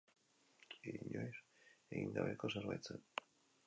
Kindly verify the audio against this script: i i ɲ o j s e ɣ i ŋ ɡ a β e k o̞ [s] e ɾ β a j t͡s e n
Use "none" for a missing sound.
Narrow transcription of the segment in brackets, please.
s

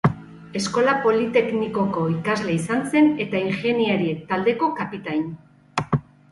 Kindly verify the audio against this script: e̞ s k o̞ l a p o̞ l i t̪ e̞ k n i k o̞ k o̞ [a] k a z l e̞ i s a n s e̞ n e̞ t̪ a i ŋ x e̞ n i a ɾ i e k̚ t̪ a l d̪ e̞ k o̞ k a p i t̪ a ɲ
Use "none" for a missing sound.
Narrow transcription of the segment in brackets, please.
i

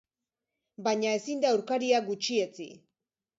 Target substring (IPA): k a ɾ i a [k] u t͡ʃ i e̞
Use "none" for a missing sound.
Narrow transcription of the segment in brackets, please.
ɡ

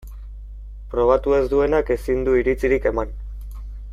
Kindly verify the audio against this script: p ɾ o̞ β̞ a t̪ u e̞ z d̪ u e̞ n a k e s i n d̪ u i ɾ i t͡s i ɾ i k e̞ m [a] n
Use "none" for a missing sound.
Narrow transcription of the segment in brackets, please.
a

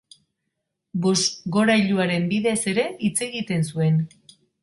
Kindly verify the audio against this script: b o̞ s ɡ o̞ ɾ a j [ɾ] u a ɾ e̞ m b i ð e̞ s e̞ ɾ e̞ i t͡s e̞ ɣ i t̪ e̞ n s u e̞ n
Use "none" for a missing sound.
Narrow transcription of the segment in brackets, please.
ʎ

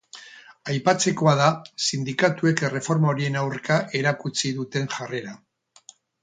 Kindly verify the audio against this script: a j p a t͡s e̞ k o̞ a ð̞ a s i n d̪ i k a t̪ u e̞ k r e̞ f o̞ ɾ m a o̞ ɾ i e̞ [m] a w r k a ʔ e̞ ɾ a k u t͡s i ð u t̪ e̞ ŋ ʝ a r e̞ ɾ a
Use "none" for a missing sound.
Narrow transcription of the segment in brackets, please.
n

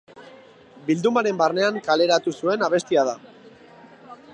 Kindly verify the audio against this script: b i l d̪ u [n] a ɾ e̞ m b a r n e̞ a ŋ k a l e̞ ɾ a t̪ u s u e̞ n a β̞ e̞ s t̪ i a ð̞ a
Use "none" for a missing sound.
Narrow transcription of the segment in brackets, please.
m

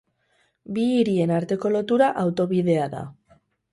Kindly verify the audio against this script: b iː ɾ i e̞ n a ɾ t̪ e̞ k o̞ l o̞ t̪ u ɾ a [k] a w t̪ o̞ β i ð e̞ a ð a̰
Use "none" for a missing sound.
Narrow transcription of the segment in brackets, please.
ʔ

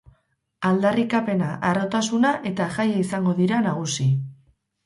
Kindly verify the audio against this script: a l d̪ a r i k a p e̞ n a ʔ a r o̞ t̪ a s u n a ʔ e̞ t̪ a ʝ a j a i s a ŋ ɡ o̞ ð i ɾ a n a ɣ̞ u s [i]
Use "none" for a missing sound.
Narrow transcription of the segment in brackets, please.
i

